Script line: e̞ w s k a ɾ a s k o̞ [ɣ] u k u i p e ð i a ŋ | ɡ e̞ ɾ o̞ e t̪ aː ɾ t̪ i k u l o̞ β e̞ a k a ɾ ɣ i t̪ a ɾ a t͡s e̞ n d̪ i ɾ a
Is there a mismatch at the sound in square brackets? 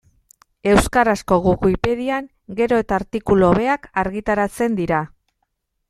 no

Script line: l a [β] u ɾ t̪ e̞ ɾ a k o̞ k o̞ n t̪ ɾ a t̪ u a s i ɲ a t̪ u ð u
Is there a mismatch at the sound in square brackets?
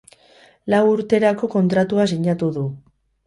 yes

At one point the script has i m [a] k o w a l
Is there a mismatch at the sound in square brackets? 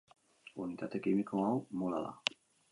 yes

